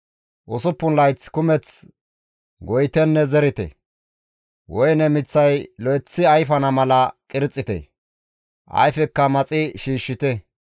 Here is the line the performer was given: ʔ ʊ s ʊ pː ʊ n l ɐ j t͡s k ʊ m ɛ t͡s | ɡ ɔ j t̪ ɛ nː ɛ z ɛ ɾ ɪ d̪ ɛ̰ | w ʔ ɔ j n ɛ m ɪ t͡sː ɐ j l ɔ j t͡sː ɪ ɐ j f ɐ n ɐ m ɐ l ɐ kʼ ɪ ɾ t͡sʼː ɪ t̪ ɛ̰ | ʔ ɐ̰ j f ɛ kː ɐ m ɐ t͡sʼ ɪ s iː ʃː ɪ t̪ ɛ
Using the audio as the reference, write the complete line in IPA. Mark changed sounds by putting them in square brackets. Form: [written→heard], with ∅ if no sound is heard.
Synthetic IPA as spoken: ʔ ʊ s ʊ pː ʊ n l ɐ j t͡s k ʊ m ɛ t͡s | ɡ ɔ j t̪ ɛ nː ɛ z ɛ ɾ ɪ [d̪→t̪] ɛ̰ | w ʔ ɔ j n ɛ m ɪ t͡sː ɐ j l ɔ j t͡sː ɪ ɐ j f ɐ n ɐ m ɐ l ɐ kʼ ɪ ɾ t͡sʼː ɪ t̪ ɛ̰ | ʔ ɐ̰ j f ɛ kː ɐ m ɐ t͡sʼ ɪ [s→ʃ] iː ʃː ɪ t̪ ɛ